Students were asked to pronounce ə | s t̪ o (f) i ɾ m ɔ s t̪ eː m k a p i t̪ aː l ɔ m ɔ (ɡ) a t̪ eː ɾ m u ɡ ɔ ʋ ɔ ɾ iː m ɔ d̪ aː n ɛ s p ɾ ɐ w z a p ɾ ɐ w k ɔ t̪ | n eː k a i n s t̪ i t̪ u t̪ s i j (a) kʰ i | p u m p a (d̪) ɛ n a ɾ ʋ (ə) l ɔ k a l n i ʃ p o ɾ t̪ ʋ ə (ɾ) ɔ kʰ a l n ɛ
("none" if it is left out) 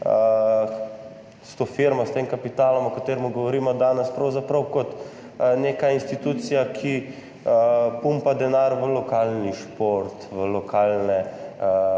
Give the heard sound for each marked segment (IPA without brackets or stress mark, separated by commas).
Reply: f, k, a, d̪, ə, l